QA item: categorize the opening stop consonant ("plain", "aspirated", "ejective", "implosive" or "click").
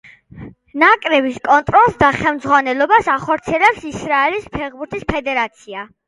ejective